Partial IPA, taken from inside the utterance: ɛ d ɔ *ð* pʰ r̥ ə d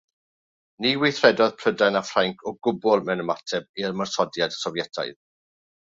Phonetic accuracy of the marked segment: correct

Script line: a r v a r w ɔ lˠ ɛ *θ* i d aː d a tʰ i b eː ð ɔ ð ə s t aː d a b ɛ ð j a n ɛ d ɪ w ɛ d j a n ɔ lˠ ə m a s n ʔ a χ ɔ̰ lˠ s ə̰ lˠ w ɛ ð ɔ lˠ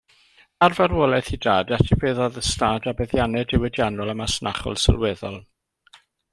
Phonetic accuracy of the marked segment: correct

